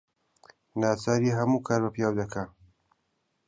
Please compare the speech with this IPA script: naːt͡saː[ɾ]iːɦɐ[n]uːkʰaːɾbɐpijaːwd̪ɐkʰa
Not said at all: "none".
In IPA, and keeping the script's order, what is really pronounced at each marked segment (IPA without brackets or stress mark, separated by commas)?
ɾ, m